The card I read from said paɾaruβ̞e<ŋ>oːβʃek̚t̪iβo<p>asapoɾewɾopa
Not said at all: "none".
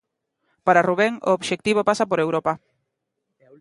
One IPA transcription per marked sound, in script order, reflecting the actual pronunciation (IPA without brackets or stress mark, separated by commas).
ŋ, p